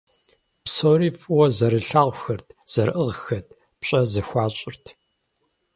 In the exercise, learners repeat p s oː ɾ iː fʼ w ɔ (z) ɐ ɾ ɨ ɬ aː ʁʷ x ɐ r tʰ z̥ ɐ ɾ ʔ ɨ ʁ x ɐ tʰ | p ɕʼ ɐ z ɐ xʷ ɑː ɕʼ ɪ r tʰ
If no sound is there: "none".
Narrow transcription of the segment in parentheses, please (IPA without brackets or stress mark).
z